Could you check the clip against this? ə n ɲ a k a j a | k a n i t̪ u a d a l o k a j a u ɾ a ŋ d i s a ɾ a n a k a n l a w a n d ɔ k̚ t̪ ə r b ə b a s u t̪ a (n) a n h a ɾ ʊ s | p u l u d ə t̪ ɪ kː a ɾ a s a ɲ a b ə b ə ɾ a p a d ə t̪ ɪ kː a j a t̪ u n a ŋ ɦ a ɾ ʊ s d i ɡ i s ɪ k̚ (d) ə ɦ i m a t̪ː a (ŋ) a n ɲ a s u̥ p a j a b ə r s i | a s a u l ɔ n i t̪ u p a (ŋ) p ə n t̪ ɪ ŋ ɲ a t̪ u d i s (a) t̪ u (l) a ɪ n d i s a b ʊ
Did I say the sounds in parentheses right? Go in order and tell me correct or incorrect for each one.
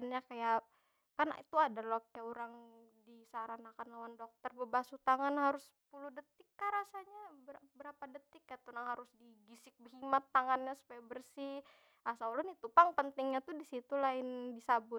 incorrect: ŋ, incorrect: b, correct, correct, incorrect: i, correct

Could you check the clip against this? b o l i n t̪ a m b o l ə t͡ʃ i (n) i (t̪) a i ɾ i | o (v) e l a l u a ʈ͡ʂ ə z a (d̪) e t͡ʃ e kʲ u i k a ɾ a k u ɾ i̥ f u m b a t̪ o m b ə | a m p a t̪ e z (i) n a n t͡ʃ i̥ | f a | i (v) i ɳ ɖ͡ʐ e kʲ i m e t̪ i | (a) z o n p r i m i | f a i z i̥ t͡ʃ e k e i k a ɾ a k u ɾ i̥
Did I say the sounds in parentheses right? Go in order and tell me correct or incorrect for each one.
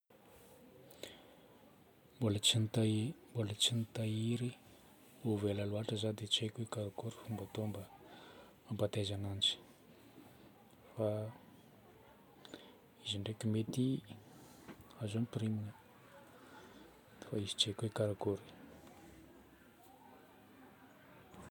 correct, correct, correct, correct, incorrect: a, incorrect: z, correct

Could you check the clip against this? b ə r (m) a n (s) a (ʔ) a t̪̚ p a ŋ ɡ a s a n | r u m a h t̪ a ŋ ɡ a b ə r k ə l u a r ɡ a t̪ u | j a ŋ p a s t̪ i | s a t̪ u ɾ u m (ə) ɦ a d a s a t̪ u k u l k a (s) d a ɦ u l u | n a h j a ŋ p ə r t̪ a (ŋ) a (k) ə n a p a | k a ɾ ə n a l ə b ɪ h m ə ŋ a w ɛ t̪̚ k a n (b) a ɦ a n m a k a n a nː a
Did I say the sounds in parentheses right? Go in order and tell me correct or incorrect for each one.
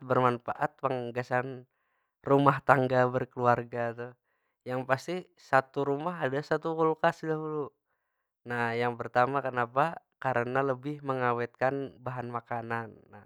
correct, incorrect: f, correct, incorrect: a, correct, incorrect: m, correct, correct

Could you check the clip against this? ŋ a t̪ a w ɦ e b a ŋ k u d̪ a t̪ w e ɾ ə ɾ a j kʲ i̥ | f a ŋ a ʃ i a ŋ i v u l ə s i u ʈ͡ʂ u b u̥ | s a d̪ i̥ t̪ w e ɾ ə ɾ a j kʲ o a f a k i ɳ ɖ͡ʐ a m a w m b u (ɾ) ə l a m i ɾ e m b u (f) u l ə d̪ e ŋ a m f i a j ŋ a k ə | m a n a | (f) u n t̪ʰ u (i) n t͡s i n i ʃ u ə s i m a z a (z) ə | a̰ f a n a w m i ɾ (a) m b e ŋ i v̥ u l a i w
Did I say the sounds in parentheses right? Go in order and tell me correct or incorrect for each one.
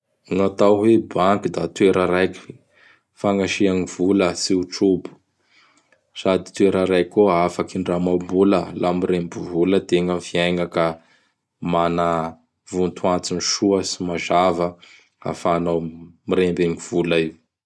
incorrect: l, incorrect: v, incorrect: v, incorrect: a, incorrect: v, incorrect: e

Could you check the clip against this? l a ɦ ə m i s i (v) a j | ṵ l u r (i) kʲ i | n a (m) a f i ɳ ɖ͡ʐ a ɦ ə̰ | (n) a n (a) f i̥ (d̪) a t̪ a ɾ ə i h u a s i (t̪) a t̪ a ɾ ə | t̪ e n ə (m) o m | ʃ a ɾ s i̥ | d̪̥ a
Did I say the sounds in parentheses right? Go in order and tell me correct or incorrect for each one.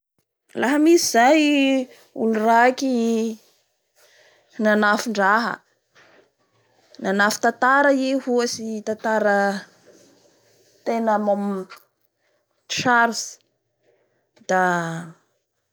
incorrect: z, incorrect: a, incorrect: n, correct, correct, incorrect: t̪, correct, correct

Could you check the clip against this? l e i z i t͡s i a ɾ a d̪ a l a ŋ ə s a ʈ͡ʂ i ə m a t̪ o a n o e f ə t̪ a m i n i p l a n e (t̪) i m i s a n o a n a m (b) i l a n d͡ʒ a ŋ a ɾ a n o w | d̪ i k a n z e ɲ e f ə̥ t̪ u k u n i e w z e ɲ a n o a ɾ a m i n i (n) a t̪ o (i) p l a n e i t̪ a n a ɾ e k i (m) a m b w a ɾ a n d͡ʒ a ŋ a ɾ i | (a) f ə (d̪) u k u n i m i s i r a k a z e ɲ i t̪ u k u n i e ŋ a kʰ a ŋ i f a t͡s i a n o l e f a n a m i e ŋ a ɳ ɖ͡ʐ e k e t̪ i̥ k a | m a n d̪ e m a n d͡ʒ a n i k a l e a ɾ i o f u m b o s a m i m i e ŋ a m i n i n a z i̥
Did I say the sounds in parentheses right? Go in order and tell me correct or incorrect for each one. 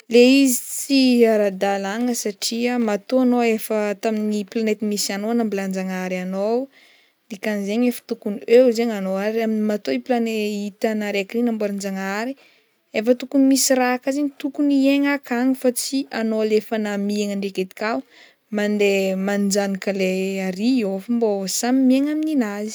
correct, correct, incorrect: m, correct, incorrect: n, incorrect: e, incorrect: t̪

